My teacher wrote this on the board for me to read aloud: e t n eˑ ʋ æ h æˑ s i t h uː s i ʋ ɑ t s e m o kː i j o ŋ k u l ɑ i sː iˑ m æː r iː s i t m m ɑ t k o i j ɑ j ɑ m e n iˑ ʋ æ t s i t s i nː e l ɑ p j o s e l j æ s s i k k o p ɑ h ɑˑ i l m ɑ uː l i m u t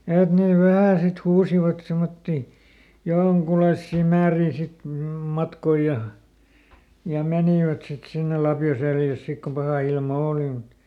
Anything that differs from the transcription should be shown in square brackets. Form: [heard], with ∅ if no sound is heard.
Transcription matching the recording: e t n eˑ ʋ æ h æˑ s i t h uː s i ʋ ɑ t s e m o [tː] i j o ŋ k u l ɑ i sː iˑ m æː r iː s i t m m ɑ t k o i j ɑ j ɑ m e n iˑ ʋ æ t s i t s i nː e l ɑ p j o s e l j æ s s i k k o p ɑ h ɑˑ i l m ɑ [oː] l i m u t